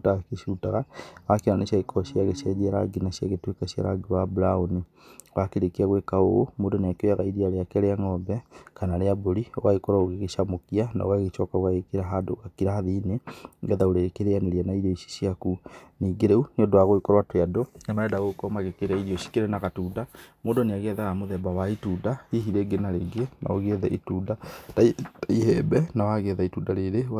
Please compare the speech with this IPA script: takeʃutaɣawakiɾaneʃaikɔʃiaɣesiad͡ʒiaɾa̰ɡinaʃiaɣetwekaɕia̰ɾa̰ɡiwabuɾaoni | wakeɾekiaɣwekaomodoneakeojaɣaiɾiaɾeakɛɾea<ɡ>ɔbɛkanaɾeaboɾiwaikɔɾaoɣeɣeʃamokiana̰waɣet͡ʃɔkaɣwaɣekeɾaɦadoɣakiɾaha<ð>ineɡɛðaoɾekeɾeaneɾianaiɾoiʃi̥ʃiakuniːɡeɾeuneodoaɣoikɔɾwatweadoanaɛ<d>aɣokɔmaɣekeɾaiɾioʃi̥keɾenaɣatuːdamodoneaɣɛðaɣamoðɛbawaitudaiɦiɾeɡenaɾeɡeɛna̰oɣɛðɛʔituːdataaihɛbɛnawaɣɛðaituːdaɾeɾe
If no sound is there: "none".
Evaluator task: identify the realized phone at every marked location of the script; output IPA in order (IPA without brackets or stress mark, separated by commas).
ŋ, ð, d